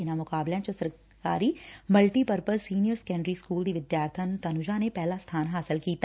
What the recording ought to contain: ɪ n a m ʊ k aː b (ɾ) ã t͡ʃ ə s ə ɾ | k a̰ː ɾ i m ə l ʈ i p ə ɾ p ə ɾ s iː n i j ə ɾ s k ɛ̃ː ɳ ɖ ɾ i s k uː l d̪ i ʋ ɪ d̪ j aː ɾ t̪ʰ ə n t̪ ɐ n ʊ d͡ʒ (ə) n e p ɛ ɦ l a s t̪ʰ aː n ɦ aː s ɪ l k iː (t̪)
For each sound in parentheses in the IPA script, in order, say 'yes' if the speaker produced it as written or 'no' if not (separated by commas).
no, no, yes